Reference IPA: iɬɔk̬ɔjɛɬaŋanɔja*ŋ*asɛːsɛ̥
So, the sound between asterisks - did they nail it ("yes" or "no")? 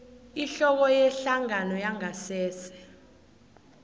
yes